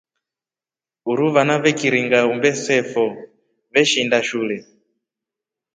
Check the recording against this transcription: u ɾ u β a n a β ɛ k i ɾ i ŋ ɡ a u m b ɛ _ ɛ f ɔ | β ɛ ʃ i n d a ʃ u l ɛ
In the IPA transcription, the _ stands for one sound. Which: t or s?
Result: s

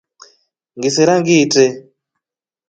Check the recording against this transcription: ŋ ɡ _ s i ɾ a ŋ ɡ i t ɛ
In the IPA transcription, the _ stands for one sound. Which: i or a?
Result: i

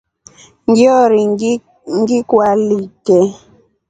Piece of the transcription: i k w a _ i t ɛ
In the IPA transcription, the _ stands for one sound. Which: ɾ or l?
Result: l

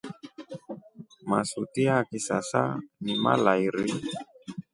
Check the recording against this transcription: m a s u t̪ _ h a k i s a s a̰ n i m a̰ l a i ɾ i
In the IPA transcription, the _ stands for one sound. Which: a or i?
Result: i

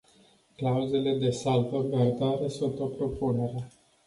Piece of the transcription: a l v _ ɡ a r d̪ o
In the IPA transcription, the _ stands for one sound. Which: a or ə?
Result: ə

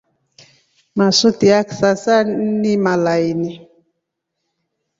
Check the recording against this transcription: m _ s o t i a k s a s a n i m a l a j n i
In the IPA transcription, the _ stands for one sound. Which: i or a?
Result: a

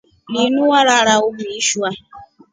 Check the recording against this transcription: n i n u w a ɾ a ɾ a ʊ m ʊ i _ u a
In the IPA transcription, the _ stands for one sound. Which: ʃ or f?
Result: ʃ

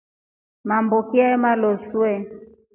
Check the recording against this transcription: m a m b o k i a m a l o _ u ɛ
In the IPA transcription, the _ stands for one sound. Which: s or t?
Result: s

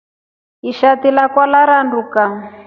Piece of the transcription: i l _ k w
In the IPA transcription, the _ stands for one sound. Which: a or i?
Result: a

